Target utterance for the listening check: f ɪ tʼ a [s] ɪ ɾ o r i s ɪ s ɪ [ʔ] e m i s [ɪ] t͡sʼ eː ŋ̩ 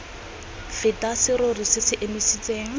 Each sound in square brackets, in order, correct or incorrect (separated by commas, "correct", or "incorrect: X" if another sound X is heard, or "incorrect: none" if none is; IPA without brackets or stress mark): correct, correct, incorrect: i